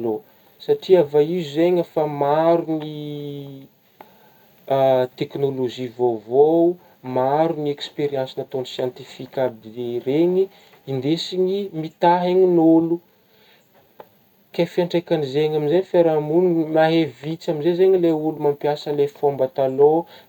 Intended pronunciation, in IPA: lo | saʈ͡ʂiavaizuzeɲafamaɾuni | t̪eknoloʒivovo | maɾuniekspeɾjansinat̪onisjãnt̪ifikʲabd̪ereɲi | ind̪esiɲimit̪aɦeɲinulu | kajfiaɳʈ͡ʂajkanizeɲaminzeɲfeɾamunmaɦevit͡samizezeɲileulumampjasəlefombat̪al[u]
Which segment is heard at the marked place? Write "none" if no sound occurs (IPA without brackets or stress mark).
o